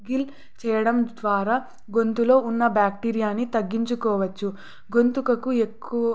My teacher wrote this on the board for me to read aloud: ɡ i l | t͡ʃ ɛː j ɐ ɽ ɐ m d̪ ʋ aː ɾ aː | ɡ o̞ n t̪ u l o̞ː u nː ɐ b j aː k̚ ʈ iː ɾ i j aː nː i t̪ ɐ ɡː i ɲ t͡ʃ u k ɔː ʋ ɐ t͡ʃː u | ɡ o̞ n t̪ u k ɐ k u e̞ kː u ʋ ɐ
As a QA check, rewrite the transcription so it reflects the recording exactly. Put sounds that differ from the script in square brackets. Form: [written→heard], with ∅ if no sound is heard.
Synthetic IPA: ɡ i l | t͡ʃ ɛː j ɐ ɽ ɐ m d̪ ʋ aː ɾ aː | ɡ o̞ n t̪ u l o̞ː u nː ɐ b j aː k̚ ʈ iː ɾ i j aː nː i t̪ ɐ ɡː i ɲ t͡ʃ u k ɔː ʋ ɐ t͡ʃː u | ɡ o̞ n t̪ u k ɐ k u e̞ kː u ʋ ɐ